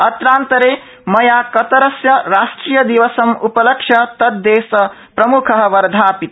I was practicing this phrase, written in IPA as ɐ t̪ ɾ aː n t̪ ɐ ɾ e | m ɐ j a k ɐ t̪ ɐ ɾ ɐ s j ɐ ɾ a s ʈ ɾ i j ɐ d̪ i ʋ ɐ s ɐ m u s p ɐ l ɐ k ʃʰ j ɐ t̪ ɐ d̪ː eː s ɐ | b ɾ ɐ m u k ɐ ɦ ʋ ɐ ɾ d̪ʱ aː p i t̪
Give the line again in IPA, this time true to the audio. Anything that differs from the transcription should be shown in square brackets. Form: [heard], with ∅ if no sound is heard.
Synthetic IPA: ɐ t̪ ɾ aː n t̪ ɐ ɾ e | m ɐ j a k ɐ t̪ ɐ ɾ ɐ s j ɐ ɾ a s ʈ ɾ i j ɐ d̪ i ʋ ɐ s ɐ m u [∅] p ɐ l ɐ k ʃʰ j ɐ t̪ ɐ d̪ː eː s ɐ | [p] ɾ ɐ m u [kʰ] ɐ ɦ ʋ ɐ ɾ d̪ʱ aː p i t̪